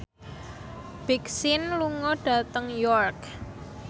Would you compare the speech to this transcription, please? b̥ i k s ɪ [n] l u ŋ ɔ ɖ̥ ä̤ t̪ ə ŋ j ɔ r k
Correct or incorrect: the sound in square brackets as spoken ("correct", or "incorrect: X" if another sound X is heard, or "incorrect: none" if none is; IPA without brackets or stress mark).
correct